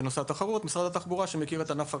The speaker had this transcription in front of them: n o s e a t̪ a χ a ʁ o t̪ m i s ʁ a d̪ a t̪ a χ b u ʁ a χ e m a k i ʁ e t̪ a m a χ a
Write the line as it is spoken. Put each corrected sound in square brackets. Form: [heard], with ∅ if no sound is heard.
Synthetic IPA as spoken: n o s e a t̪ a χ a ʁ [u] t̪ m i s ʁ a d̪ a t̪ a χ b u ʁ a [ʃ] e m [e] k i ʁ e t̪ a [n] a [f] a